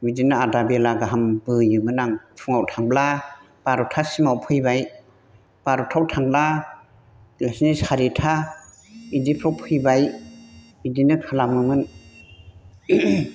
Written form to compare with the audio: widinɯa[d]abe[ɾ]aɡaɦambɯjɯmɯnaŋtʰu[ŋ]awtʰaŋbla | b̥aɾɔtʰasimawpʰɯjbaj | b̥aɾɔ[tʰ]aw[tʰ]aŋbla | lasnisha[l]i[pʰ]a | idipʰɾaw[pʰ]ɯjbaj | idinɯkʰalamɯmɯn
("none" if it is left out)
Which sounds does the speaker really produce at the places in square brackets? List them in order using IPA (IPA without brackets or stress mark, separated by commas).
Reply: d, l, ŋ, tʰ, tʰ, ɾ, tʰ, pʰ